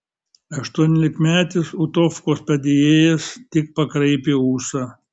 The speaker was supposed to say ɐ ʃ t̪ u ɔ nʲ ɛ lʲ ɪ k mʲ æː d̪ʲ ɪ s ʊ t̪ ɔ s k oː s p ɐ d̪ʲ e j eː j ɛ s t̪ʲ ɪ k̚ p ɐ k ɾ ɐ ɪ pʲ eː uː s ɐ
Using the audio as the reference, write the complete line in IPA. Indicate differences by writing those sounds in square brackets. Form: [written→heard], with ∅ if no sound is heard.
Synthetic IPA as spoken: ɐ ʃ t̪ u ɔ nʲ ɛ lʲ ɪ k mʲ æː [d̪ʲ→t̪ʲ] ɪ s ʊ t̪ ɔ [s→f] k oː s p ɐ d̪ʲ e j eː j ɛ s t̪ʲ ɪ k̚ p ɐ k ɾ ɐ ɪ pʲ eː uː s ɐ